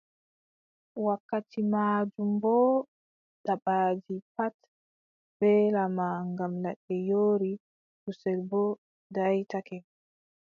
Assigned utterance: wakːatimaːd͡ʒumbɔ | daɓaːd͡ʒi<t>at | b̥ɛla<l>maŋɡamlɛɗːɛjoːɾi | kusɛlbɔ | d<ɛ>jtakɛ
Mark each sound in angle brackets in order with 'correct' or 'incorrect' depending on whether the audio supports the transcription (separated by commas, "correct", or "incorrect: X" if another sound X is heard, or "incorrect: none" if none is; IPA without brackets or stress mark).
incorrect: p, incorrect: none, incorrect: a